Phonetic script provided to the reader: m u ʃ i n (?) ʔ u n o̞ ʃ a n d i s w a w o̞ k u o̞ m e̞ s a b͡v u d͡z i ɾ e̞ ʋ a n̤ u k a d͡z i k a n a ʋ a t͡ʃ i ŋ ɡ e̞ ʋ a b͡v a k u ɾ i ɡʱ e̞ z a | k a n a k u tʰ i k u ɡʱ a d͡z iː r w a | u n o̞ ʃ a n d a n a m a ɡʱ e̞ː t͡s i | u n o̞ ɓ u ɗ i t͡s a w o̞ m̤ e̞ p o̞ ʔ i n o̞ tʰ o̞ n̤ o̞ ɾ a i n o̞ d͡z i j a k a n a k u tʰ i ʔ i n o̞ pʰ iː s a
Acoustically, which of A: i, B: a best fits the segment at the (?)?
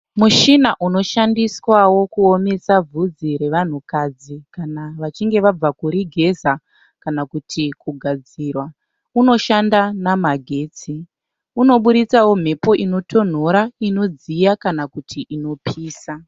B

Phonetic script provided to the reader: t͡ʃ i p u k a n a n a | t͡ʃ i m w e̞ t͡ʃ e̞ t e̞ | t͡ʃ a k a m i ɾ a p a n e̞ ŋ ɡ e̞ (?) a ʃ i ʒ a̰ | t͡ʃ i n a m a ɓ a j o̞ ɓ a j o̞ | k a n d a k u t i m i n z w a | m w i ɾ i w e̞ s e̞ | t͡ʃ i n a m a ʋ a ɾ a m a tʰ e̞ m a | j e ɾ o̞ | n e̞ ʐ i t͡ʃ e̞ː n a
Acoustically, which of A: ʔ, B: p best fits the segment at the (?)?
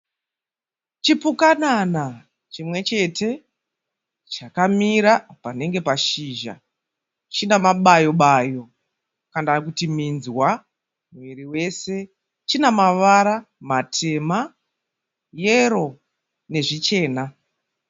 B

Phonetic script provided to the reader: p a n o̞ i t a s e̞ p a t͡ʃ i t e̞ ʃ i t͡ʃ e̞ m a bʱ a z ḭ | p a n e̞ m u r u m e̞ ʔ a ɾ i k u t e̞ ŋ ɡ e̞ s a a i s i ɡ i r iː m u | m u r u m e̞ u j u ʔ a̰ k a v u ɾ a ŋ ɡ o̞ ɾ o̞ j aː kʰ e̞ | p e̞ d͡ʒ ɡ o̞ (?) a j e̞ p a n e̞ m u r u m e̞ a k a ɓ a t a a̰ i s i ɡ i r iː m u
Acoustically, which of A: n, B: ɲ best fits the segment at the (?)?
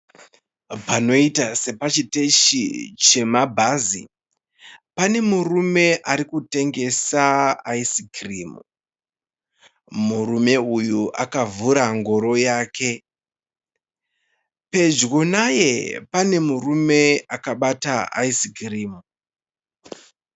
A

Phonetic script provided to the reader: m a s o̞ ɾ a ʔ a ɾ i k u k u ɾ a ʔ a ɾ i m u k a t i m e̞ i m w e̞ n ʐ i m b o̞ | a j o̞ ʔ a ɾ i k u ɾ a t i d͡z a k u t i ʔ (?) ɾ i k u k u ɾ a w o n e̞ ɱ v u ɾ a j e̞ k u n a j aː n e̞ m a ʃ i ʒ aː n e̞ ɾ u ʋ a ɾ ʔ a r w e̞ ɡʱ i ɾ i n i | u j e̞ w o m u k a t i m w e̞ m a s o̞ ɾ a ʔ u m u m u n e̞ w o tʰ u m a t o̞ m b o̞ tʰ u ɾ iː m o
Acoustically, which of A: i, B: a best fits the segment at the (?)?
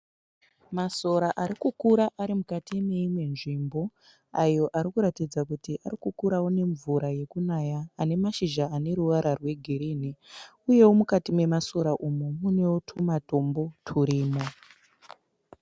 B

